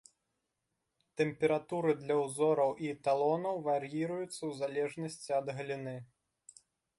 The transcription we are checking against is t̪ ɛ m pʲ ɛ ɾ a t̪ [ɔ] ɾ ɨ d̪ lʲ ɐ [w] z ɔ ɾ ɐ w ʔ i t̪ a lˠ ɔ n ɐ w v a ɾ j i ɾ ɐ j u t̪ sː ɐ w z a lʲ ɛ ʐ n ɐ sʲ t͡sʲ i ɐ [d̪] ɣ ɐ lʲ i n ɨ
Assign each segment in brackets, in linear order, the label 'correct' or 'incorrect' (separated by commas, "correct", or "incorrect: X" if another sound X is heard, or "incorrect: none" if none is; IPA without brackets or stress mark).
incorrect: u, correct, correct